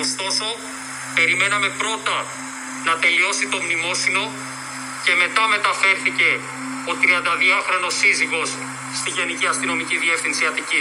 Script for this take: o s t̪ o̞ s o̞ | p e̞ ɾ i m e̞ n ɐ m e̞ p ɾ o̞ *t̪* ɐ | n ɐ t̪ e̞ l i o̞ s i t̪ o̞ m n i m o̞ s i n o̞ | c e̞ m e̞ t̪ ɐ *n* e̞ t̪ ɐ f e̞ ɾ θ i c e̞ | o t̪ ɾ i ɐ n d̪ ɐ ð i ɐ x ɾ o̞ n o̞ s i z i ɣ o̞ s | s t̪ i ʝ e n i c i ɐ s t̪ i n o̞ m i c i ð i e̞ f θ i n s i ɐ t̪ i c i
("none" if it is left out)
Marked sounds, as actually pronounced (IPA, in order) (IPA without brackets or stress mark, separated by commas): t̪, m